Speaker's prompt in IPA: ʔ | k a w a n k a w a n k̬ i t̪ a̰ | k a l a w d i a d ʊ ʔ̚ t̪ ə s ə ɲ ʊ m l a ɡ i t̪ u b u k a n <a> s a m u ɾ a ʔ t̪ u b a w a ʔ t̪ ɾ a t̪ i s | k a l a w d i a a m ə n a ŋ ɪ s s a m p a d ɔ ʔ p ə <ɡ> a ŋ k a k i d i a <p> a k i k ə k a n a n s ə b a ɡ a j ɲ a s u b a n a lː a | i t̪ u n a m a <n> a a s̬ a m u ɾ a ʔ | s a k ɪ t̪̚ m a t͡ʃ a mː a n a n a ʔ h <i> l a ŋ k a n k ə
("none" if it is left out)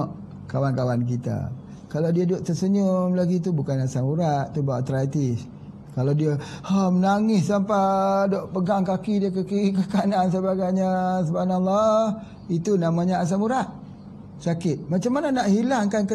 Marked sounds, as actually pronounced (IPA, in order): a, ɡ, k, ɲ, i

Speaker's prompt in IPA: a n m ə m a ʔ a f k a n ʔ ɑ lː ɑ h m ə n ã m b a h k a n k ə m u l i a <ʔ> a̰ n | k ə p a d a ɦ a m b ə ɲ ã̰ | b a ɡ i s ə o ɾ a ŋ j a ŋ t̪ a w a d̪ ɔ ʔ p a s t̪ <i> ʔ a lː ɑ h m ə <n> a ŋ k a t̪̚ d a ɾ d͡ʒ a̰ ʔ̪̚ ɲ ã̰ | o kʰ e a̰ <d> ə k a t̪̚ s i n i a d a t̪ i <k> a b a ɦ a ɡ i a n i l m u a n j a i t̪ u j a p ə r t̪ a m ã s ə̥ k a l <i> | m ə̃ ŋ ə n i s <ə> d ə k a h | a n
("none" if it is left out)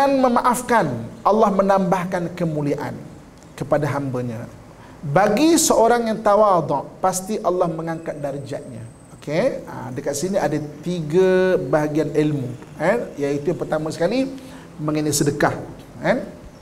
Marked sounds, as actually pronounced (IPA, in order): ʔ, i, ŋ, d, ɡ, i, ə

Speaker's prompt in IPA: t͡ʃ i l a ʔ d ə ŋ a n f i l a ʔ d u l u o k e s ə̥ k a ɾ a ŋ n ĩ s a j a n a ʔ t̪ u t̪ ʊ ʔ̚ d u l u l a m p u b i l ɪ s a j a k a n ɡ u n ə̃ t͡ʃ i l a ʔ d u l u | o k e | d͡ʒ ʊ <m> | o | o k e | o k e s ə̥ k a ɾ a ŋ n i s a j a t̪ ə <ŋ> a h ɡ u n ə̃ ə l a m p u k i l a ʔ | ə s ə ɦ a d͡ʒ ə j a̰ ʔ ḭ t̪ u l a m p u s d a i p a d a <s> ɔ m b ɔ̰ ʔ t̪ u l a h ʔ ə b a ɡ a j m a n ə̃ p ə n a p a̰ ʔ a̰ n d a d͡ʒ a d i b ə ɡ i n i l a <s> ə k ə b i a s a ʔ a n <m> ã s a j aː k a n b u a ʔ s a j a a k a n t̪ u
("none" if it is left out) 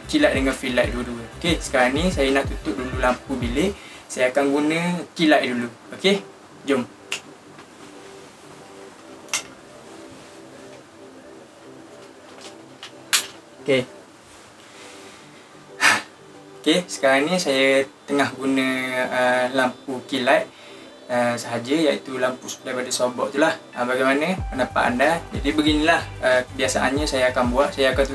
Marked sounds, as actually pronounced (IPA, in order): m, ŋ, s, h, ɲ

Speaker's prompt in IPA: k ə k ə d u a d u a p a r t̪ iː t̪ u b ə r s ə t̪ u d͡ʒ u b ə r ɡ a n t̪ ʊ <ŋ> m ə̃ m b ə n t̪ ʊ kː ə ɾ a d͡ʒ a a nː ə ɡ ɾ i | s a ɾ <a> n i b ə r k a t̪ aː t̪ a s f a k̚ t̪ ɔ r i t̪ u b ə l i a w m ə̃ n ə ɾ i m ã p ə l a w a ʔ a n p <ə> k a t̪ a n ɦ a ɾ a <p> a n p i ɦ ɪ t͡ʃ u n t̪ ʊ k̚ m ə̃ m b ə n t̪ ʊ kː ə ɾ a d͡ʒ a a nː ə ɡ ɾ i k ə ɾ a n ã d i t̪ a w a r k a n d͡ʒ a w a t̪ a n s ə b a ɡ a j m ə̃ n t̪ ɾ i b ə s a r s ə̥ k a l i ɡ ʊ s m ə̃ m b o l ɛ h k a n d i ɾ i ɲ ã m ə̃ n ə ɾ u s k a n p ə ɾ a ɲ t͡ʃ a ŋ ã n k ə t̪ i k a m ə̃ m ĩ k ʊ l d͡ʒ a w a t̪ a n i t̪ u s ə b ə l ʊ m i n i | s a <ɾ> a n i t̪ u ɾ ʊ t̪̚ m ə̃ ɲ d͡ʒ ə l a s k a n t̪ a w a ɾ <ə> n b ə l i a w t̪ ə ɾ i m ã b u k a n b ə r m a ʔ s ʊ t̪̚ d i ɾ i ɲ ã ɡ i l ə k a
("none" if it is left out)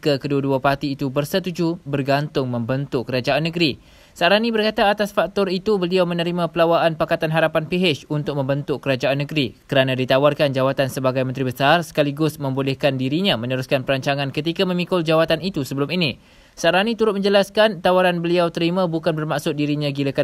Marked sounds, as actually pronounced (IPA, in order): ŋ, a, a, p, ɾ, a

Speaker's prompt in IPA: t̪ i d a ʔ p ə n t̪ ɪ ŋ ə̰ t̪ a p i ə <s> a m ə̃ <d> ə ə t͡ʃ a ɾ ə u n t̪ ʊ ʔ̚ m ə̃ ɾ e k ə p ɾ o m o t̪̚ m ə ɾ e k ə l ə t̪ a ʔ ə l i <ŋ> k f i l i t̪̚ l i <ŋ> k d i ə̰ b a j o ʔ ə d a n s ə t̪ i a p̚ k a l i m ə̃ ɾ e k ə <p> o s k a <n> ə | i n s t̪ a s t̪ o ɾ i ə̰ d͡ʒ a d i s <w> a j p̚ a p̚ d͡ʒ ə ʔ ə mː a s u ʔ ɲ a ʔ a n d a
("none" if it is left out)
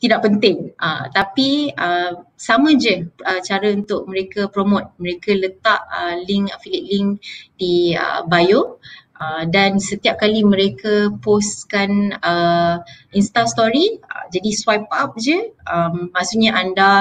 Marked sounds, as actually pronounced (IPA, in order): s, d͡ʒ, ŋ, ŋ, p, n, w

